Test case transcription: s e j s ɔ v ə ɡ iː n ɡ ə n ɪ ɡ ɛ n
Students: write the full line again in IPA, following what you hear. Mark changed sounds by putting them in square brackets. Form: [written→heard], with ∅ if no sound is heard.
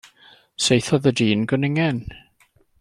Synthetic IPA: s e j [s→θ] ɔ [v→ð] ə [ɡ→d] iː n ɡ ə n ɪ [ɡ→ŋ] ɛ n